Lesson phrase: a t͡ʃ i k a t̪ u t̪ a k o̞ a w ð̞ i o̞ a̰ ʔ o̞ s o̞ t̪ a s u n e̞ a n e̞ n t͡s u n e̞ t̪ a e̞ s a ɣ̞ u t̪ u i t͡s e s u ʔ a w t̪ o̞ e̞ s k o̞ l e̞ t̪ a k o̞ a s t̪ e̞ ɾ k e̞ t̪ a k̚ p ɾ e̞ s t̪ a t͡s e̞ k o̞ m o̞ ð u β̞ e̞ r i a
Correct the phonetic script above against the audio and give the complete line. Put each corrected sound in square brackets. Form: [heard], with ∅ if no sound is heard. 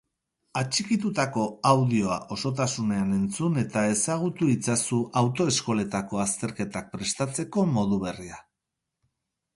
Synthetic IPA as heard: a t͡ʃ i k [i] t̪ u t̪ a k o̞ a w ð̞ i o̞ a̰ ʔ o̞ s o̞ t̪ a s u n e̞ a n e̞ n t͡s u n e̞ t̪ a e̞ s a ɣ̞ u t̪ u i t͡s [a] s u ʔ a w t̪ o̞ e̞ s k o̞ l e̞ t̪ a k o̞ a s t̪ e̞ ɾ k e̞ t̪ a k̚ p ɾ e̞ s t̪ a t͡s e̞ k o̞ m o̞ ð u β̞ e̞ r i a